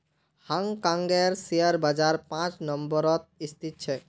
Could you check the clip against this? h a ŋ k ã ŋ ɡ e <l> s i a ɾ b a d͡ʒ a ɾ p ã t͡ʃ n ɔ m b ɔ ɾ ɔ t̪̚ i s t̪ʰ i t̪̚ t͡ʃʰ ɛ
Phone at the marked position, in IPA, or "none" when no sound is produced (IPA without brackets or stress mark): ɾ